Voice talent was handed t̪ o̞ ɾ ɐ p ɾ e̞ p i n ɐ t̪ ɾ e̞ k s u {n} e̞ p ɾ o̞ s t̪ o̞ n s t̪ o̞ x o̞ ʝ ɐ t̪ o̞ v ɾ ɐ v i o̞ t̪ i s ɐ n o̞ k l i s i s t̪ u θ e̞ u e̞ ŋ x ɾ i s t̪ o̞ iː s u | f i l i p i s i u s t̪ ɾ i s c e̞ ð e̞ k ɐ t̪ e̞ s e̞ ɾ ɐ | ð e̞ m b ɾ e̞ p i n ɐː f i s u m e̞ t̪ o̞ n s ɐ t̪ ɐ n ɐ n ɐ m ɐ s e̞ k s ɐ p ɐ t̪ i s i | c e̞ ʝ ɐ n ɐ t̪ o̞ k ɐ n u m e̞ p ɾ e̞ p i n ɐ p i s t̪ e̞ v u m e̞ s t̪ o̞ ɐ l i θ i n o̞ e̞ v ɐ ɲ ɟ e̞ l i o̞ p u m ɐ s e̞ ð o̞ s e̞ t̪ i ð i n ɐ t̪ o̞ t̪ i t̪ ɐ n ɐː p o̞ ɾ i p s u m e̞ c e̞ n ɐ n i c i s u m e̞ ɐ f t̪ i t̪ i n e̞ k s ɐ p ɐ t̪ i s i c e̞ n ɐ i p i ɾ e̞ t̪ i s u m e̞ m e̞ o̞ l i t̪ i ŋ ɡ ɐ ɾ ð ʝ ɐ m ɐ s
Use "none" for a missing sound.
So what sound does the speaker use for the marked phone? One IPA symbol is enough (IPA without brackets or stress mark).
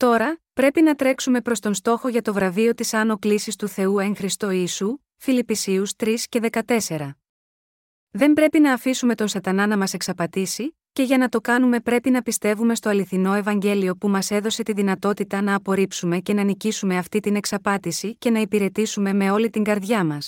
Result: m